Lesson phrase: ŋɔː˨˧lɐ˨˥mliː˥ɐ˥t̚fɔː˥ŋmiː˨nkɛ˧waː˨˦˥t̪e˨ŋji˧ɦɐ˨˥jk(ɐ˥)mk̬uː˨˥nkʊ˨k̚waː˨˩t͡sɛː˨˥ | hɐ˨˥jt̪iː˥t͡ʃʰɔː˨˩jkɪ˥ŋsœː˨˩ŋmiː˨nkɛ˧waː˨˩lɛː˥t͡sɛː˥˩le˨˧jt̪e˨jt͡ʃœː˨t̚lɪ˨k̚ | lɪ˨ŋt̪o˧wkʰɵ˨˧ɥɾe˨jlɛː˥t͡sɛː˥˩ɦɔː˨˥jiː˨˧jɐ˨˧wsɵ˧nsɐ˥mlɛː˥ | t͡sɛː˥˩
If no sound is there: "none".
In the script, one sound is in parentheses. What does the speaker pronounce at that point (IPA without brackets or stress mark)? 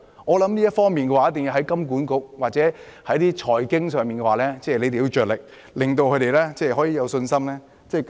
ɐ˥